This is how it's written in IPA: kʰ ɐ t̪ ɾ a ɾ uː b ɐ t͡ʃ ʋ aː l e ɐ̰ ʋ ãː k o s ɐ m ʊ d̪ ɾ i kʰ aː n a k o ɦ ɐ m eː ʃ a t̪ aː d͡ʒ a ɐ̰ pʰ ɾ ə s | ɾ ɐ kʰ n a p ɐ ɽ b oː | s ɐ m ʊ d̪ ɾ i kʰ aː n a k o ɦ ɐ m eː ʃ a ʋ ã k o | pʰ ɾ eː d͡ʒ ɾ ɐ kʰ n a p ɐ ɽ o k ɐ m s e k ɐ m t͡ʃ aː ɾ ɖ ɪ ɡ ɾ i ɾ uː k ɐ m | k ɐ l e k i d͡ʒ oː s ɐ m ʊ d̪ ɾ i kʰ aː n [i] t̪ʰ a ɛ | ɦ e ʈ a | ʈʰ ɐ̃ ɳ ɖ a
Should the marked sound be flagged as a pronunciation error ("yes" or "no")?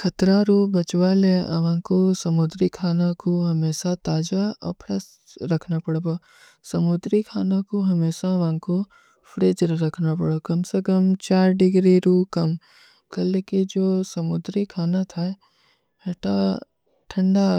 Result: yes